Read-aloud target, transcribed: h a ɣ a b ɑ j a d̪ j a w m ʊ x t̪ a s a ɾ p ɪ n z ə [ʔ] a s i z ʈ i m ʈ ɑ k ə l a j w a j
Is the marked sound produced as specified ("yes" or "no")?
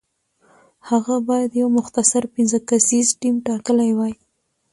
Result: no